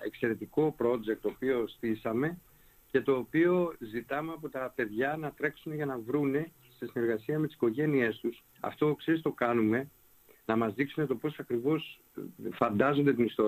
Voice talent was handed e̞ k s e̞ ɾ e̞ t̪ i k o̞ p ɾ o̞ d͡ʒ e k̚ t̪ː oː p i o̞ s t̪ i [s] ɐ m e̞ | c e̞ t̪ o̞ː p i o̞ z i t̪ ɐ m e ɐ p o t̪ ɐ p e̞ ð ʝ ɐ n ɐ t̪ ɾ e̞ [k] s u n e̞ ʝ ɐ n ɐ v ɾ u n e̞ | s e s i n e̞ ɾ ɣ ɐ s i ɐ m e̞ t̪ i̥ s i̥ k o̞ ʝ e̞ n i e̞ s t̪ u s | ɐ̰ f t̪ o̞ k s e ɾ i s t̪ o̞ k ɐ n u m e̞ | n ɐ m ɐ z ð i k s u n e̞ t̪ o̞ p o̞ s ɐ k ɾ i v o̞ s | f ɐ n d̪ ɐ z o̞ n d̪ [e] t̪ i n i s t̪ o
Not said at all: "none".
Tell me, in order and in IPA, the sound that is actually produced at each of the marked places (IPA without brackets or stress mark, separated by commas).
s, k, e